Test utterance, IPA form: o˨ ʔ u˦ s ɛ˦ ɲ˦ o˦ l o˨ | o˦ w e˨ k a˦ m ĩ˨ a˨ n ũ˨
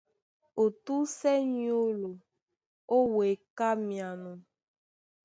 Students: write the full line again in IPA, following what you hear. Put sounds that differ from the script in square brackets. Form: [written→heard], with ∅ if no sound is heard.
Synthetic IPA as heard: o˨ [ʔ→t] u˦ s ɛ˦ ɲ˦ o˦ l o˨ | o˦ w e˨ k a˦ m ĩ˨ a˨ n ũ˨